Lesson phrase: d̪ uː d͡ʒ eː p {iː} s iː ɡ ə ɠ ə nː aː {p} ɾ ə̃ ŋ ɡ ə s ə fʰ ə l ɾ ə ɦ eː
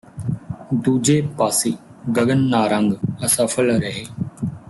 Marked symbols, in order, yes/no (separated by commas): no, no